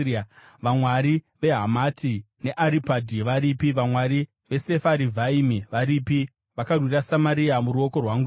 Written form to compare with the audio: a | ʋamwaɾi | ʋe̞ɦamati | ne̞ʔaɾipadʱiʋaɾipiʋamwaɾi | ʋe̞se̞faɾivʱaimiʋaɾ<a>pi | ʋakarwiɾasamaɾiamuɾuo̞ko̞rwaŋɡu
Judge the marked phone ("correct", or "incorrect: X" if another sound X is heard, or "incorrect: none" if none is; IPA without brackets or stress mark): incorrect: i